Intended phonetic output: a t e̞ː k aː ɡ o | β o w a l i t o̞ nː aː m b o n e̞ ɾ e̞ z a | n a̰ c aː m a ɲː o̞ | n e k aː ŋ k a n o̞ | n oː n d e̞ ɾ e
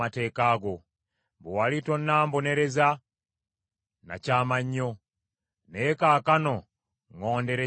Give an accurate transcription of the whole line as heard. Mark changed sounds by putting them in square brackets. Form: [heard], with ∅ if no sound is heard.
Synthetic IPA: a t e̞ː k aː ɡ o | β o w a l i t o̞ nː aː m b o n e̞ ɾ e̞ z a | n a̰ c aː m a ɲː o̞ | n e k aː [∅] k a n o̞ | [ŋ] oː n d e̞ ɾ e